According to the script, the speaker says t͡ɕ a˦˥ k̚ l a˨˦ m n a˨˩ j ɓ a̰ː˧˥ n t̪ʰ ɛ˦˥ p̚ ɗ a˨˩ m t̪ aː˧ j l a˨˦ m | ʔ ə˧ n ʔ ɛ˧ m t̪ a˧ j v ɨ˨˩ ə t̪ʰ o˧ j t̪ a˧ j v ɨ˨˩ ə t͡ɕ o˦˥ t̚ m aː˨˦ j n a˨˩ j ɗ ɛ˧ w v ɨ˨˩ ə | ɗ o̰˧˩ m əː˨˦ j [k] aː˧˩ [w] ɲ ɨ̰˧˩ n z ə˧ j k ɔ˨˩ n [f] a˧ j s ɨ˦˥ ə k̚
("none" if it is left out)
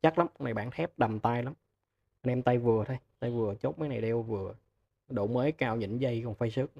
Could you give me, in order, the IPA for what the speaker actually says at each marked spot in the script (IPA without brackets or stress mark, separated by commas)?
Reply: k, w, f